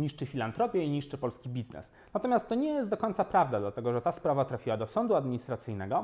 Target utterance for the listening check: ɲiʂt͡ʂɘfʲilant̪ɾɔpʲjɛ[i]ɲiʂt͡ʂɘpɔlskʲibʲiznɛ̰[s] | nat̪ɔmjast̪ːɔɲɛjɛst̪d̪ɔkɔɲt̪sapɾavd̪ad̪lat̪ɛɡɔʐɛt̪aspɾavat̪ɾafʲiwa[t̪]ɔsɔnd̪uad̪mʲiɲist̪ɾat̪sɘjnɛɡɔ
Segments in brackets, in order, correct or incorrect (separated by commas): correct, correct, incorrect